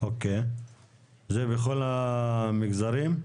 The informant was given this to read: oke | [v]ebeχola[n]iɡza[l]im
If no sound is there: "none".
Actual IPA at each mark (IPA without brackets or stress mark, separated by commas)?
z, m, ɾ